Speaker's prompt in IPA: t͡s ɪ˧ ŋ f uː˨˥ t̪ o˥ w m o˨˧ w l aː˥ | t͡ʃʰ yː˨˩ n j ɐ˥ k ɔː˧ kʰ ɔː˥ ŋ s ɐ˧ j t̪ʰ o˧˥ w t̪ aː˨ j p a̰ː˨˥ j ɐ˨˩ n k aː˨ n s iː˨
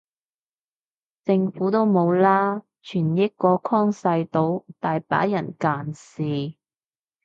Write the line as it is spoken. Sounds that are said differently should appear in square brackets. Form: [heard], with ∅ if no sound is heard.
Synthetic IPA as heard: t͡s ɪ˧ ŋ f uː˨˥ t̪ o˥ w m o˨˧ w l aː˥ | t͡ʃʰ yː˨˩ n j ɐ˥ k ɔː˧ kʰ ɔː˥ ŋ s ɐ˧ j [t̪] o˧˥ w t̪ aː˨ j p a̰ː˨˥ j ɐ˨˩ n k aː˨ n s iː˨